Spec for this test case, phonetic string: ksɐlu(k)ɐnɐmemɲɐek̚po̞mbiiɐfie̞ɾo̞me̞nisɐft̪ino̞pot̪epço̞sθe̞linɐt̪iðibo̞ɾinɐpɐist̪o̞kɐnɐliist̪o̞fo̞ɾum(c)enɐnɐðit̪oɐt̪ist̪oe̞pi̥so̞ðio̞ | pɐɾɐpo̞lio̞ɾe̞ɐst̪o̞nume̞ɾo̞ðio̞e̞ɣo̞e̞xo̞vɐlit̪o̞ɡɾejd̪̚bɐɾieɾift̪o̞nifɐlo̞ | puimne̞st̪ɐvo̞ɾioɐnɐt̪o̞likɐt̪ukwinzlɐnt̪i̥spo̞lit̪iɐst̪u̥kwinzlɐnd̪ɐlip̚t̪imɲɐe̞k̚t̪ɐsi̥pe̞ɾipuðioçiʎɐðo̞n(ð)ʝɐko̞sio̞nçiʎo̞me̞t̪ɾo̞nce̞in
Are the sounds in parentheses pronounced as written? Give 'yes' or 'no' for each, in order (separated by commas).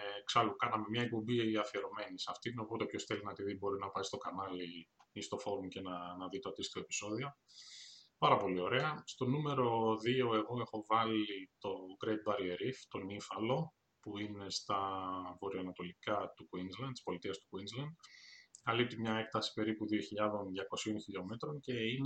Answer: yes, yes, yes